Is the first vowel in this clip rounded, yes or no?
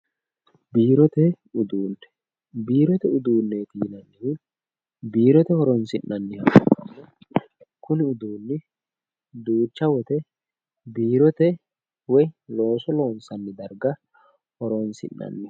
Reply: no